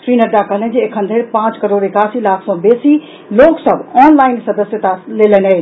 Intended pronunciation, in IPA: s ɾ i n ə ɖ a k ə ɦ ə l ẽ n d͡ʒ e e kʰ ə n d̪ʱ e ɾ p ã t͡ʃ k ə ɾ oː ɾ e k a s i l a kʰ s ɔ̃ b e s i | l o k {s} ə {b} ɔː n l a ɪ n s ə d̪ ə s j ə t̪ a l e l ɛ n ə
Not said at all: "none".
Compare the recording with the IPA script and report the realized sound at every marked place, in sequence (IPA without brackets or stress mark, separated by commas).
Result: s, b